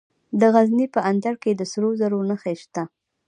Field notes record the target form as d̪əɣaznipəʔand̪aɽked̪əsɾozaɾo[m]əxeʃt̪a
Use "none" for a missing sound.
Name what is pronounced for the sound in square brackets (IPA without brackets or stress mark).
n